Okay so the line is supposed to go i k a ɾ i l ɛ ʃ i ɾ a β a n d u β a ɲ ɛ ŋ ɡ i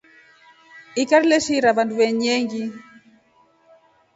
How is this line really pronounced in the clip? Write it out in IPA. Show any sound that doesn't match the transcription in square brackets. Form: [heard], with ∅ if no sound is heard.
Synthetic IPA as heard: i k a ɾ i l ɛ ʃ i ɾ a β a n d u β [ɛ] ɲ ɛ ŋ ɡ i